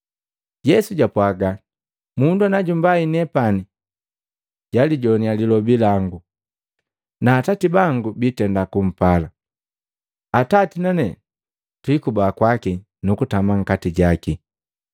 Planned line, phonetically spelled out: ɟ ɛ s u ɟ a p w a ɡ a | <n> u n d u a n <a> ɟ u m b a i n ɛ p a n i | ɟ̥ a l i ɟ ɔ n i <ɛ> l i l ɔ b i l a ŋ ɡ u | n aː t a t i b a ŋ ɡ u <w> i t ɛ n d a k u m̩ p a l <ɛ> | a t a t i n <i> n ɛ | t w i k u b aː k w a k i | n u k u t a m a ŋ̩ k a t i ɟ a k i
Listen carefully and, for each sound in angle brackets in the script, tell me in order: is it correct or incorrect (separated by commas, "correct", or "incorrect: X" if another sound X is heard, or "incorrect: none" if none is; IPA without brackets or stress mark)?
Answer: incorrect: m, correct, incorrect: a, incorrect: b, incorrect: a, incorrect: a